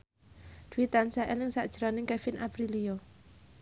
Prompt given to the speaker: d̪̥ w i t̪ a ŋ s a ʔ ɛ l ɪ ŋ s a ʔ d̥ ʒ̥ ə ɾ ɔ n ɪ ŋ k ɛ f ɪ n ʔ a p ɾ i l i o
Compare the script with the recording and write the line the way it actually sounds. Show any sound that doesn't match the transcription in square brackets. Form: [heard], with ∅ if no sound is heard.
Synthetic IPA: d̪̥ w i t̪ a [n] s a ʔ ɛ l ɪ ŋ s a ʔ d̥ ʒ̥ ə ɾ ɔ n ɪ ŋ k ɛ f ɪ n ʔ a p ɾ i l i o

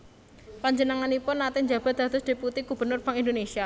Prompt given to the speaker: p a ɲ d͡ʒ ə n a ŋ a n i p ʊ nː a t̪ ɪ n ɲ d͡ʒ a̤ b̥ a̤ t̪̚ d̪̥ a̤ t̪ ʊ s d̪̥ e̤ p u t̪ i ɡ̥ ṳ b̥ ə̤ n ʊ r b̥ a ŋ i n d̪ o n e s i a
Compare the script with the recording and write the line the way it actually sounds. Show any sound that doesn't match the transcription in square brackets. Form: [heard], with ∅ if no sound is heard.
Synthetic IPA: p a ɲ d͡ʒ ə n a ŋ a n i p ʊ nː a t̪ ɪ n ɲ d͡ʒ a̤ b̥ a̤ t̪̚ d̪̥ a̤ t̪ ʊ s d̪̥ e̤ p u t̪ i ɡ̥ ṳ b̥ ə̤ n ʊ r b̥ a ŋ i n d̪ o n e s i a

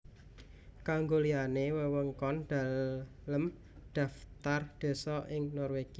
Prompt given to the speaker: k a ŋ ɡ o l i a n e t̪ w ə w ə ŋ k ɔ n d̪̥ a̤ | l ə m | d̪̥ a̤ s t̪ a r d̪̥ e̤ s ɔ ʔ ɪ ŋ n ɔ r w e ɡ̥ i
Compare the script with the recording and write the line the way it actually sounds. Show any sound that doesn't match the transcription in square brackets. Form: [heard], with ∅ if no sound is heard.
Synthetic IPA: k a ŋ ɡ o l i a n e [∅] w ə w ə ŋ k ɔ n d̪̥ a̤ | l ə m | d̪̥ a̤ [f] t̪ a r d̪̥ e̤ s ɔ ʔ ɪ ŋ n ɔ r w e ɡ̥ i

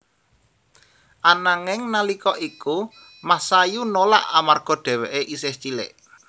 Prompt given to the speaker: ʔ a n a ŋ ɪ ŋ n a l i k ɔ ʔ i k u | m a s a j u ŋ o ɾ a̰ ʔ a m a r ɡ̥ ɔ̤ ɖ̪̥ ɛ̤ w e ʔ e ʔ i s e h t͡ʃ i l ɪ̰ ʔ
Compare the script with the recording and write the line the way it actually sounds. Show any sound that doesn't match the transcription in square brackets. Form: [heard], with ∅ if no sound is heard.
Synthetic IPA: ʔ a n a ŋ ɪ ŋ n a l i k ɔ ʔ i k u | m a s a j u [n] o [l] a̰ ʔ a m a r ɡ̥ ɔ̤ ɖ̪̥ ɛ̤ w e ʔ e ʔ i s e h t͡ʃ i l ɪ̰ ʔ

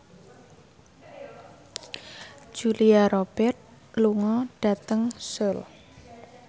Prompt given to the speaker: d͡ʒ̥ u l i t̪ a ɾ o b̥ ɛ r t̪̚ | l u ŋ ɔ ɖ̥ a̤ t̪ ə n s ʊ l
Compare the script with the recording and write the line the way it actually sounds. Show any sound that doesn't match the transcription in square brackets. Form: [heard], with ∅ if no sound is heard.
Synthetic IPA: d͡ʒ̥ u l i [∅] a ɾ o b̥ ɛ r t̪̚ | l u ŋ ɔ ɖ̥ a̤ t̪ ə [ŋ] s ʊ l

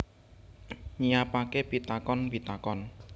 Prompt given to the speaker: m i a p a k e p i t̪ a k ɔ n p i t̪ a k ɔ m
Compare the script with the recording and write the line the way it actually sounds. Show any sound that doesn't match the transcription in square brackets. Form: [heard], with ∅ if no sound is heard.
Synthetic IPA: [ɲ] i a p a k e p i t̪ a k ɔ n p i t̪ a k ɔ [n]

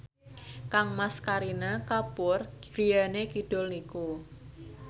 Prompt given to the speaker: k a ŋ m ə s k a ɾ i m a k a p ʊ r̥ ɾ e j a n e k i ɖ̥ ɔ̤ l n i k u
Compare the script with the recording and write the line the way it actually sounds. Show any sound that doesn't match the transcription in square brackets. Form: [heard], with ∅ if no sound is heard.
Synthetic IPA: k a ŋ m [a] s k a ɾ i [n] a k a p ʊ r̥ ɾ [i] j a n e k i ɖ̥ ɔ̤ l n i k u

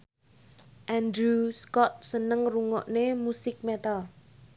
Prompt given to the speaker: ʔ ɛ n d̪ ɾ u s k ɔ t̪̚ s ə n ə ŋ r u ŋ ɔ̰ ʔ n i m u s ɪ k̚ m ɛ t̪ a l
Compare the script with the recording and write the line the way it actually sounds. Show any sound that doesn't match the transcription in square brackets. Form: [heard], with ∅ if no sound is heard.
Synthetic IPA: ʔ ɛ n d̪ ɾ u s k ɔ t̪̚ s ə n ə ŋ r u ŋ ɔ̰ ʔ n [e] m u s ɪ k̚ m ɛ t̪ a l

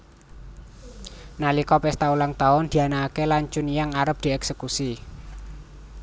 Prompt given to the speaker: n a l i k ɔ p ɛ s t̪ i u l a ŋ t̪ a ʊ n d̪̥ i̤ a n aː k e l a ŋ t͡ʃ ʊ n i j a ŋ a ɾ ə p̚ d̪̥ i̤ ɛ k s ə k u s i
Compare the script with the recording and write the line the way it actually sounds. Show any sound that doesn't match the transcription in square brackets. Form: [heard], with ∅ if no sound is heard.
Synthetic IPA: n a l i k ɔ p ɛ s t̪ [a] u l a ŋ t̪ a ʊ n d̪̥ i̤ a n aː k e l a [ɲ] t͡ʃ ʊ n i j a ŋ a ɾ ə p̚ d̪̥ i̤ ɛ k s ə k u s i

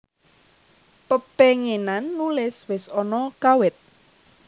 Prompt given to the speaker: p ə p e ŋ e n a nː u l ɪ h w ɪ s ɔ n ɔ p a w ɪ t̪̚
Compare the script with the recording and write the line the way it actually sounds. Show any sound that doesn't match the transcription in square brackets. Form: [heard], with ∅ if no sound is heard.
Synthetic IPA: p ə p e ŋ e n a nː u l ɪ [s] w ɪ s ɔ n ɔ [k] a w ɪ t̪̚

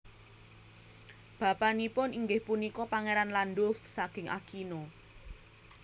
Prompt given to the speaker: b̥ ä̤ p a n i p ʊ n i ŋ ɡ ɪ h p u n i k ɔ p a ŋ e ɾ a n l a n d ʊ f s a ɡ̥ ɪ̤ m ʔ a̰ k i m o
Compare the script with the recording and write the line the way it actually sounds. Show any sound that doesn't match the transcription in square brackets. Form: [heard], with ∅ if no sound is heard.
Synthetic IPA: b̥ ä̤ p a n i p ʊ n i ŋ ɡ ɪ h p u n i k ɔ p a ŋ e ɾ a n l a n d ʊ f s a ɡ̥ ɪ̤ [ŋ] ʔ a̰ k i [n] o

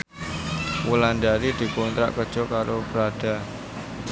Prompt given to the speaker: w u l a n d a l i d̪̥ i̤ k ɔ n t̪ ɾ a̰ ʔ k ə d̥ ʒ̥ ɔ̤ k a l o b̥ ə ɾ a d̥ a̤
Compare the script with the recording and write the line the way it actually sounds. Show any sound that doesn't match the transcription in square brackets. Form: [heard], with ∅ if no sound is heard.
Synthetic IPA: w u l a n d a [ɾ] i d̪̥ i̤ k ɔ n t̪ ɾ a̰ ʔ k ə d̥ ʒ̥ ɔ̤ k a [ɾ] o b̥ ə ɾ a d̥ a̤

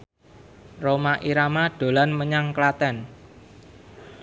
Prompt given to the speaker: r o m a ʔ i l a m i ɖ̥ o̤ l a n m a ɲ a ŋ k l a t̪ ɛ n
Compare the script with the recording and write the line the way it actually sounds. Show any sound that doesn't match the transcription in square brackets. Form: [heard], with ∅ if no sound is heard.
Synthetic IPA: r o m a ʔ i [ɾ] a m [a] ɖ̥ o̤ l a n m [ə] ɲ a ŋ k l a t̪ ɛ n

